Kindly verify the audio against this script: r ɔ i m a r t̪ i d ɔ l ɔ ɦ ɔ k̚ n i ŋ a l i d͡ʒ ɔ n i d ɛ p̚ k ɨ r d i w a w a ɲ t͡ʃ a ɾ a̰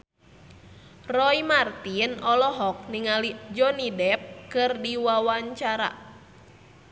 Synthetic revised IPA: r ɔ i m a r t̪ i n ɔ l ɔ ɦ ɔ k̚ n i ŋ a l i d͡ʒ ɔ n i d ɛ p̚ k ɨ r d i w a w a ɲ t͡ʃ a ɾ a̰